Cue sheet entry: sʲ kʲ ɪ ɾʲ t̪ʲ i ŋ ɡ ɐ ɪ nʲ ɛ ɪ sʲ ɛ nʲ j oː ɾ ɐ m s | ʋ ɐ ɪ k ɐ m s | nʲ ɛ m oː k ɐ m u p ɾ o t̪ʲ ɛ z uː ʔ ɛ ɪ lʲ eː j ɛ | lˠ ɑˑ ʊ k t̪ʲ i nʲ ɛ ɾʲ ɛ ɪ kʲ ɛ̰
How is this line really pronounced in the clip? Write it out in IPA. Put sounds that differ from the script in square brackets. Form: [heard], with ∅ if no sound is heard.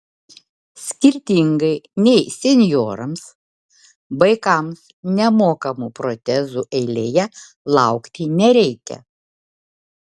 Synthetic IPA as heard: sʲ kʲ ɪ ɾʲ t̪ʲ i ŋ ɡ ɐ ɪ nʲ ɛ ɪ sʲ ɛ nʲ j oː ɾ ɐ m s | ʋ ɐ ɪ k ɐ m s | nʲ ɛ m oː k ɐ m u p ɾ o t̪ʲ ɛ z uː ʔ ɛ ɪ lʲ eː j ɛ | lˠ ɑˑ ʊ k t̪ʲ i nʲ ɛ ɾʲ ɛ ɪ kʲ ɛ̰